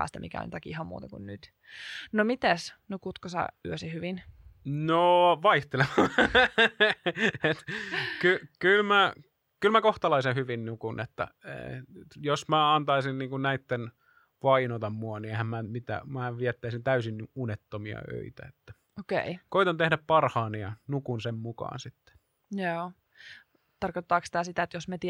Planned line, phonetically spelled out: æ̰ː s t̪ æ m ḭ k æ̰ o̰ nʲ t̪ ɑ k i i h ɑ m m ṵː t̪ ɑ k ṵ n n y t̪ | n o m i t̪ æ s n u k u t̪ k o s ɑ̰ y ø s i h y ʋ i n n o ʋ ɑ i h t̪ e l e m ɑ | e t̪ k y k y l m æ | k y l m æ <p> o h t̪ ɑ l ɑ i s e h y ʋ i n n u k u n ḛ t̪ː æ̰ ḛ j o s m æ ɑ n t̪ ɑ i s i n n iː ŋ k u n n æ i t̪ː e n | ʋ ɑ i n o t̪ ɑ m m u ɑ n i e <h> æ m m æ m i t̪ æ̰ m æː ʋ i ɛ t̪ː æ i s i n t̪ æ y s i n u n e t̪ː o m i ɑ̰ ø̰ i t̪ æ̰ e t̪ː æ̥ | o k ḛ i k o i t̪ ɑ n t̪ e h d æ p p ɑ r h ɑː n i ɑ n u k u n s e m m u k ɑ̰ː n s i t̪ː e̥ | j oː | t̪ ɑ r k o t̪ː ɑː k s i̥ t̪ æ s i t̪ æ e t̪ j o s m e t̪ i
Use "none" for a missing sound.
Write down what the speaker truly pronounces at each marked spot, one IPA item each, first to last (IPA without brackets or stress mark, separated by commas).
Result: k, h